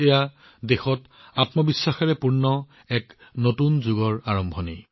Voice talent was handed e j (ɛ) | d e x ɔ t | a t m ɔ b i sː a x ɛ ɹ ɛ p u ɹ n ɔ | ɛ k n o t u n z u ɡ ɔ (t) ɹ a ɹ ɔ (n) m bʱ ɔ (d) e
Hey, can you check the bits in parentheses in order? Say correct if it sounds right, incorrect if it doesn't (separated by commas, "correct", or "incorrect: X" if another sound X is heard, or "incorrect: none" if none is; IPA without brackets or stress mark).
incorrect: a, incorrect: none, incorrect: none, incorrect: n